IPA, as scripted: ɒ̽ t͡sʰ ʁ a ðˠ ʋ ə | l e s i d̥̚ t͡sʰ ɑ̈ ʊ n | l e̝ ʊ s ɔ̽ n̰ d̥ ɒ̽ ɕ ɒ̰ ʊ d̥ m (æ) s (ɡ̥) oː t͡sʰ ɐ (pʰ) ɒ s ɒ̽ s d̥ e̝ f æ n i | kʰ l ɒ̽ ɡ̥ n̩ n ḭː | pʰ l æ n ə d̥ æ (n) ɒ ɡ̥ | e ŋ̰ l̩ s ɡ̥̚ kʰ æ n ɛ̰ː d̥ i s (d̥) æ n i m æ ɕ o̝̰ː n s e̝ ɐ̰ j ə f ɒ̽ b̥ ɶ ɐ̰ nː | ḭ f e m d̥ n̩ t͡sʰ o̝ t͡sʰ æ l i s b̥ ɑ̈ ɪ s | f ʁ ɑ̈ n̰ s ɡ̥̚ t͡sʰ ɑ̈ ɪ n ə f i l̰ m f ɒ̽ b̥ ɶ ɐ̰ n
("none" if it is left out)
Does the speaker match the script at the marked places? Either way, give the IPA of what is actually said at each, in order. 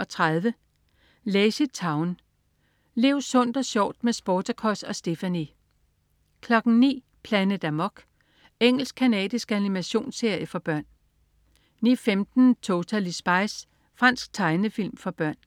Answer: e, b̥, kʰ, m, ɡ̥

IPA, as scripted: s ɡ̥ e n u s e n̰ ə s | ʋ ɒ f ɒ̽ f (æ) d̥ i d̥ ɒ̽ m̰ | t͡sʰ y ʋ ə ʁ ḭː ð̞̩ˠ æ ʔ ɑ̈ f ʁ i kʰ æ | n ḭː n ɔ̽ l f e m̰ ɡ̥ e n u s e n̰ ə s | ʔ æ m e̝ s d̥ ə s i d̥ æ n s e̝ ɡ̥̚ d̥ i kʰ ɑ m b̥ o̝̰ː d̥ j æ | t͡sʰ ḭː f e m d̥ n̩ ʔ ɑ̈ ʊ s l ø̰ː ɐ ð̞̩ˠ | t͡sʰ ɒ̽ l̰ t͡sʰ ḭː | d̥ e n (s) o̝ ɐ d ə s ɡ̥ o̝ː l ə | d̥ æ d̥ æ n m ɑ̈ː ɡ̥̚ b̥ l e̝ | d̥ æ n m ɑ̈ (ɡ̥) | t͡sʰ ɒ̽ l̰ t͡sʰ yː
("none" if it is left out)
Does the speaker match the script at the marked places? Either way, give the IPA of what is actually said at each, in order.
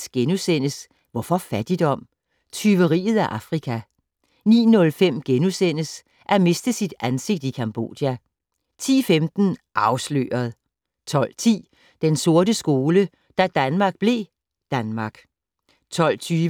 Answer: æ, s, ɡ̥

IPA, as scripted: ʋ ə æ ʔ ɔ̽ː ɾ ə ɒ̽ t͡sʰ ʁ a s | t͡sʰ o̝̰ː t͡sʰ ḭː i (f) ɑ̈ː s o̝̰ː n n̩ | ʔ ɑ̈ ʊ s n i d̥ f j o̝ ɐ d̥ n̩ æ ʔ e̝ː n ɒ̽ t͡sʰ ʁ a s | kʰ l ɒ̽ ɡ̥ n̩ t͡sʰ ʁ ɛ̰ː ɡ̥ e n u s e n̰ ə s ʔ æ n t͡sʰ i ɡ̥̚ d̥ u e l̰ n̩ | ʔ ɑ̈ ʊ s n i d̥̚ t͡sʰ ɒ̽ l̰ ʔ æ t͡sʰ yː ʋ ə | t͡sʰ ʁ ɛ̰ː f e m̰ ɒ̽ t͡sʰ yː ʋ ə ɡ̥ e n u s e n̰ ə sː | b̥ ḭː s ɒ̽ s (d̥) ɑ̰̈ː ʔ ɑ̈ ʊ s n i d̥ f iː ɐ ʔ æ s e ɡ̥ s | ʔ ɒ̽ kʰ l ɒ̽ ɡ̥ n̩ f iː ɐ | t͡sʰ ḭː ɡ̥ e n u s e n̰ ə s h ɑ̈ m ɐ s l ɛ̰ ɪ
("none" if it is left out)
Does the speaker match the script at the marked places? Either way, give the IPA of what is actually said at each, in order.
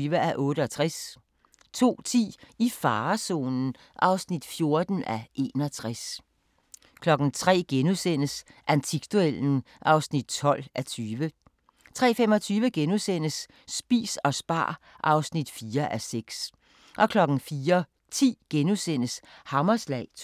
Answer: f, b̥

